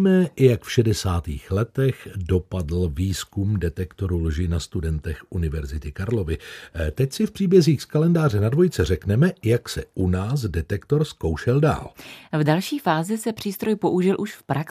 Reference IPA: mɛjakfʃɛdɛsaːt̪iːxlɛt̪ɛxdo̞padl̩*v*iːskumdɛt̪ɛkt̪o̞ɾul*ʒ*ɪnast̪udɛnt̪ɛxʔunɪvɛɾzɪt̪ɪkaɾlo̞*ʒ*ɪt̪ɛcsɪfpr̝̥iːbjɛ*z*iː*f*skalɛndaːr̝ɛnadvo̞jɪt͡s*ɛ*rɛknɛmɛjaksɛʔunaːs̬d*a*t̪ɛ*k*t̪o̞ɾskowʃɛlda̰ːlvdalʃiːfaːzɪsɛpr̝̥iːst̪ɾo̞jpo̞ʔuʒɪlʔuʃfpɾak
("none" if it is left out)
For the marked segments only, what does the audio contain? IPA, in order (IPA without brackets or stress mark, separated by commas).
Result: v, ʒ, v, z, x, ɛ, ɛ, k